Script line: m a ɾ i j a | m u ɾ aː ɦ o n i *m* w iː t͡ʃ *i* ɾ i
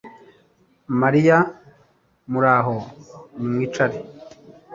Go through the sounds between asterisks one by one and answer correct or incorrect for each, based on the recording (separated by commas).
correct, incorrect